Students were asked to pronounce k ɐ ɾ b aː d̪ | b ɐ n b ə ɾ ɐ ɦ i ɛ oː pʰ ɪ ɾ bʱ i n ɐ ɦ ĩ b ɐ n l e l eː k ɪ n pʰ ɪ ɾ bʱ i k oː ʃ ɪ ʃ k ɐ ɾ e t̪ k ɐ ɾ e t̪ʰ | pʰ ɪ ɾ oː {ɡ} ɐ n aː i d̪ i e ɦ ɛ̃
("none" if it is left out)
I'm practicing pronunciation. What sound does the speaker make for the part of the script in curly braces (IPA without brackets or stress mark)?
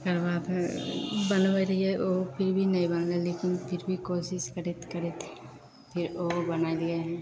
b